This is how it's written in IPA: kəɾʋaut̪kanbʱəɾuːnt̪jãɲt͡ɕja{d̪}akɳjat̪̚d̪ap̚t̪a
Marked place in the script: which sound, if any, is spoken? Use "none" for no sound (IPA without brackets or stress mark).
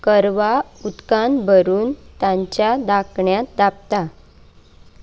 d̪